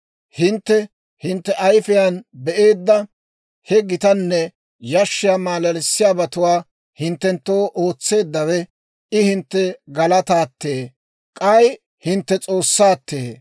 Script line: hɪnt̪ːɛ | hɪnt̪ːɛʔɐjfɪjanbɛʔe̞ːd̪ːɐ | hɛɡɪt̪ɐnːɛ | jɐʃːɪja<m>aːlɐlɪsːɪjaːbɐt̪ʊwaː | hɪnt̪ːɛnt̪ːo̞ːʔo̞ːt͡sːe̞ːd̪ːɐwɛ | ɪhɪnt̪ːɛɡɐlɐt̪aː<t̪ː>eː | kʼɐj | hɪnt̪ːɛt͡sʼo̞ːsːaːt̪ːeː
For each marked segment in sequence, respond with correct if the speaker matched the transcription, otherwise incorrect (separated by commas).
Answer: correct, correct